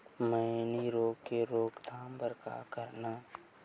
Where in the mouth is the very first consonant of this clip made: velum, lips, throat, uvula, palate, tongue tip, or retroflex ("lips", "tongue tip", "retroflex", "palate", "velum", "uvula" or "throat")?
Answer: lips